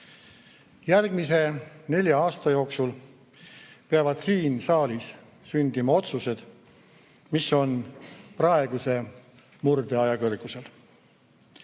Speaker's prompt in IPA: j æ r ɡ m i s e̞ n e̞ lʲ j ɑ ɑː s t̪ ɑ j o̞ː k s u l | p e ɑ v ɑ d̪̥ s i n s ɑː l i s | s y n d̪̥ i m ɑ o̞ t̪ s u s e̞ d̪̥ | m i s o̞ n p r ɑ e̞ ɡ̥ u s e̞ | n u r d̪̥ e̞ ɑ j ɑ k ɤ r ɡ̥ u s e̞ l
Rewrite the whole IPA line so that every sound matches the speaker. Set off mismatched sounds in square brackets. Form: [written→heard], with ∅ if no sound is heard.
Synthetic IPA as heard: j æ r ɡ m i s e̞ n e̞ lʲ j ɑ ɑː s t̪ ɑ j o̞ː k s u l | p e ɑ v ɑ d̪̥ s [i→iː] n s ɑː l i s | s y n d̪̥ i m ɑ o̞ t̪ s u s e̞ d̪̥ | m i s o̞ n p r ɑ e̞ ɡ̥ u s e̞ | [n→m] u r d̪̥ e̞ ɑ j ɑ k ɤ r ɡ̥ u s e̞ l